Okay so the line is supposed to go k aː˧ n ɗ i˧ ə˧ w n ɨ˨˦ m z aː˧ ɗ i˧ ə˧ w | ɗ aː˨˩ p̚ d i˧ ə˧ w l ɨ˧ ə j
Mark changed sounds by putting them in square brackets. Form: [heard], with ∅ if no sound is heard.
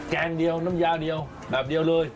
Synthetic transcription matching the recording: k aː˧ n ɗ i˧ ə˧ w n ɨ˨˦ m z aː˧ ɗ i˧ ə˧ w | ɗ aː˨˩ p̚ [ɗ] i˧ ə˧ w l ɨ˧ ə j